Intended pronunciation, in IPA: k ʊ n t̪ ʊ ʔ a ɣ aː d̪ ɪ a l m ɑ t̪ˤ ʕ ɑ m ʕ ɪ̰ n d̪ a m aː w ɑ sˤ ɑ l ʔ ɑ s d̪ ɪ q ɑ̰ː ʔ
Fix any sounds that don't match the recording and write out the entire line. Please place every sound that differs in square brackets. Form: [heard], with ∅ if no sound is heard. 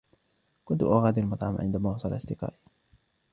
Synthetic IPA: k ʊ n t̪ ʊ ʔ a ɣ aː d̪ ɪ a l m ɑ t̪ˤ ʕ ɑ m ʕ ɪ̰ n d̪ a m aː w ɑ sˤ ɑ l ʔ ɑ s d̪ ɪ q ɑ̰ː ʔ